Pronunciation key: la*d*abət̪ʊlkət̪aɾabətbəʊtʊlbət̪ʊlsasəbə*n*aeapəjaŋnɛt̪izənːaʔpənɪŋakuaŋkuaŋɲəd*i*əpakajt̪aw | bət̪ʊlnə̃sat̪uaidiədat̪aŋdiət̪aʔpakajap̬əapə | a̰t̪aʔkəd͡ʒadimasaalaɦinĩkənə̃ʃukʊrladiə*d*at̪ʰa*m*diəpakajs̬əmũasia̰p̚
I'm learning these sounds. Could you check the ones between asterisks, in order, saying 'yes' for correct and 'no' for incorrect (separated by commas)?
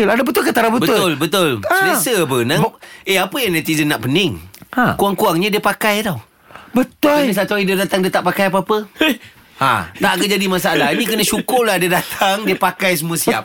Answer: yes, yes, yes, yes, no